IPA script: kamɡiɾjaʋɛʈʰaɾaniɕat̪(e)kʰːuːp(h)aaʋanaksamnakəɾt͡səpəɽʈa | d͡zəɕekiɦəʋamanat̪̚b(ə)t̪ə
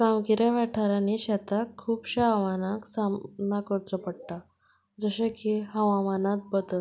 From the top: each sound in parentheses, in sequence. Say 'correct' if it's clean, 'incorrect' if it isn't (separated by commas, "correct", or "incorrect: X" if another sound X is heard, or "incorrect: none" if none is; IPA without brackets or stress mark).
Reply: incorrect: a, incorrect: ɕ, correct